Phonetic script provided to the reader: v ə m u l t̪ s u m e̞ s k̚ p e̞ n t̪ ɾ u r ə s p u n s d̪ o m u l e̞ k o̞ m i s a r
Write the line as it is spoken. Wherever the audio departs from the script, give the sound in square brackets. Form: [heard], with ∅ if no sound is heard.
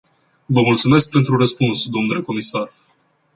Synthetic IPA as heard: v ə m u l t̪ s u m e̞ s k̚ p e̞ n t̪ ɾ u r ə s p u n s d̪ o [n] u l e̞ k o̞ m i s a r